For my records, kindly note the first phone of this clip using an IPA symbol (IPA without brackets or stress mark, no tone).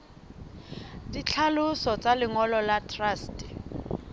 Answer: d